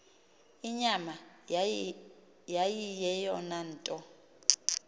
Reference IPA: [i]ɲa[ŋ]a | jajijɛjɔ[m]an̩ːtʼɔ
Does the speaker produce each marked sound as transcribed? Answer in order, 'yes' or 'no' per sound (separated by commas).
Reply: yes, no, no